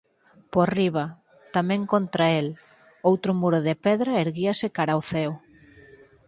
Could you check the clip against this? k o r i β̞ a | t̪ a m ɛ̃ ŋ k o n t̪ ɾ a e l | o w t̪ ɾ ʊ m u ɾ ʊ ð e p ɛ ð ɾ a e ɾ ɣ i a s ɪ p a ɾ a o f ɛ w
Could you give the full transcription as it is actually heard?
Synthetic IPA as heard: p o r i β̞ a | t̪ a m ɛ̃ ŋ k o n t̪ ɾ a e l | o w t̪ ɾ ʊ m u ɾ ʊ ð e p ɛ ð ɾ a e ɾ ɣ i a s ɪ k a ɾ a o θ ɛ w